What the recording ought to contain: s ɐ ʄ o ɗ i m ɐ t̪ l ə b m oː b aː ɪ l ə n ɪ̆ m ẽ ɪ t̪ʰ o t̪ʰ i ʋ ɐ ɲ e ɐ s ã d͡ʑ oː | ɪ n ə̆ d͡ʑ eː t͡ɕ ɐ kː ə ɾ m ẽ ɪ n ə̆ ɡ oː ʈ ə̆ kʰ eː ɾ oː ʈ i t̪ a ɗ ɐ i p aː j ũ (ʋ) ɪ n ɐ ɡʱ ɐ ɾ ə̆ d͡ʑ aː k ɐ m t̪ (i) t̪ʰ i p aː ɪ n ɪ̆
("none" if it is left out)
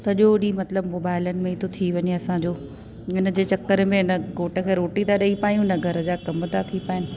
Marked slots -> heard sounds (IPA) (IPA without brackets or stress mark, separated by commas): none, a